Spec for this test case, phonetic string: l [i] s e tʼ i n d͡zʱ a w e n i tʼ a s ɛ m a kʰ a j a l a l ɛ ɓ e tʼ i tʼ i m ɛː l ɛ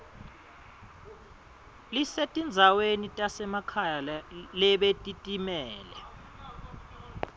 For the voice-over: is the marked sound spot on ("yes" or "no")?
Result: yes